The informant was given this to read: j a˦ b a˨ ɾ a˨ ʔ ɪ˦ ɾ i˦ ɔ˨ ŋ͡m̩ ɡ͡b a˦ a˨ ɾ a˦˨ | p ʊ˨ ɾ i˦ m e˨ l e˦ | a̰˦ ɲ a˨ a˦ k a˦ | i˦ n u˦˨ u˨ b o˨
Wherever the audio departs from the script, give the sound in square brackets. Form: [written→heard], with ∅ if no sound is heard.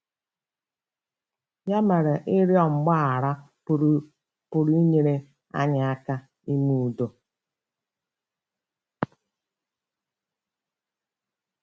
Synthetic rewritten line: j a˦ [b→m] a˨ ɾ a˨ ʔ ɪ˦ ɾ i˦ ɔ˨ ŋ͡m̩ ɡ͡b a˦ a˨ ɾ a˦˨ | p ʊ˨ ɾ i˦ [m→ɲ] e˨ [l→ɾ] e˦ | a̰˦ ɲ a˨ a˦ k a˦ | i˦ [n→m] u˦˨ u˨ [b→d] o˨